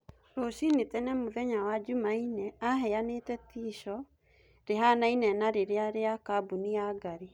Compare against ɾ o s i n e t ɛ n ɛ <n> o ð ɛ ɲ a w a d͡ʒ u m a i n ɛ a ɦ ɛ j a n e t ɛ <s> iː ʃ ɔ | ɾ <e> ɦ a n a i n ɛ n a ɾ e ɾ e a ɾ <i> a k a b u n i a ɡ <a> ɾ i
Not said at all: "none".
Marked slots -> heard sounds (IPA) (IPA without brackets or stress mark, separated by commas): m, t, e, e, a